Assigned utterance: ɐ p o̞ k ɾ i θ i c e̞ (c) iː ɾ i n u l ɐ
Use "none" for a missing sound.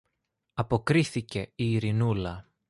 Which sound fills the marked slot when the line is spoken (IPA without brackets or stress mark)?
none